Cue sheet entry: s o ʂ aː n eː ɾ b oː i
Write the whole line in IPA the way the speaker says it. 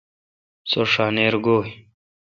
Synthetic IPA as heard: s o ʂ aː n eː ɾ ɡ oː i